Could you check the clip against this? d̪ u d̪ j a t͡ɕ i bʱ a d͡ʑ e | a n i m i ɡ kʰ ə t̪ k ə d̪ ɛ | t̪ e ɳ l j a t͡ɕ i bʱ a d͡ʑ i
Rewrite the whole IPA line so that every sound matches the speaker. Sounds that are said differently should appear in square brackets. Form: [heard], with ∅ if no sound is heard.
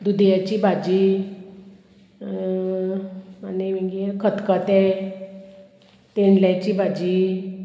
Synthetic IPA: d̪ u d̪ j a t͡ɕ i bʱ a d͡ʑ [i] | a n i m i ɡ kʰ ə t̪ k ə [t̪] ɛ | t̪ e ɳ l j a t͡ɕ i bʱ a d͡ʑ i